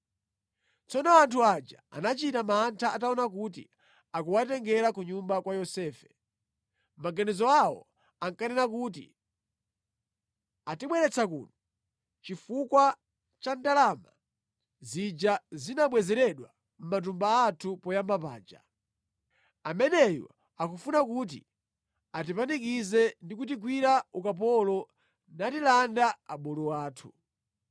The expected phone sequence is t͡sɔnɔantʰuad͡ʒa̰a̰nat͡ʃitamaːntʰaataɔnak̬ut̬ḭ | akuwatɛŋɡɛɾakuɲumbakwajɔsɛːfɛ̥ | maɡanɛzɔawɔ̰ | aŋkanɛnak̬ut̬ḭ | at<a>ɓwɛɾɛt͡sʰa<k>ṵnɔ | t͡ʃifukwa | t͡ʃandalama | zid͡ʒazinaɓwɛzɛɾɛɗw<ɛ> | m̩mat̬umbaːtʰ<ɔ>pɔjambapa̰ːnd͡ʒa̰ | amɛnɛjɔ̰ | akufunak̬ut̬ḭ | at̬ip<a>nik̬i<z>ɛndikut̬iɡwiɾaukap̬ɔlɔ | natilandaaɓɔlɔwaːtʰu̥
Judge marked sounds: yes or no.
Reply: no, yes, no, no, yes, yes

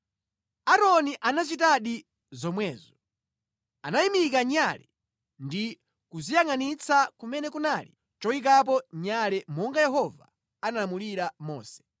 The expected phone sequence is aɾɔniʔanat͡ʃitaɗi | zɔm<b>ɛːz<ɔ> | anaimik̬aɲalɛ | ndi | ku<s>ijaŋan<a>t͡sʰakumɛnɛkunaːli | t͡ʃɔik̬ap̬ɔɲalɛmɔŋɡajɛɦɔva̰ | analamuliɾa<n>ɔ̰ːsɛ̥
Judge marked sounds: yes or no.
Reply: no, yes, no, no, no

